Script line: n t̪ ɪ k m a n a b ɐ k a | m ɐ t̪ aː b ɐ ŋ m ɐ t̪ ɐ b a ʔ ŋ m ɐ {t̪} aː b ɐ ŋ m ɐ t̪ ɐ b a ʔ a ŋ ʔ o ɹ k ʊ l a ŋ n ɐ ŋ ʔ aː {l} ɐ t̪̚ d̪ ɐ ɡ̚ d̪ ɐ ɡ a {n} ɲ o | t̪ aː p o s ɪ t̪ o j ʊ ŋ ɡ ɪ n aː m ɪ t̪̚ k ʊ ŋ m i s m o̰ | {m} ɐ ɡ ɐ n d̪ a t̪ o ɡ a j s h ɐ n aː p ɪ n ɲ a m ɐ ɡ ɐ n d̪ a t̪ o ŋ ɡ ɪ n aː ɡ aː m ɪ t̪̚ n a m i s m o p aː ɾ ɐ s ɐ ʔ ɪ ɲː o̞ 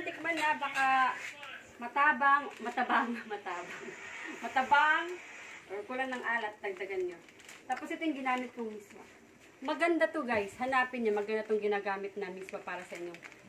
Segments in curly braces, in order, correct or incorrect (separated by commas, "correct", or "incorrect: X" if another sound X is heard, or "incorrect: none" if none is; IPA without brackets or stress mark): correct, correct, correct, correct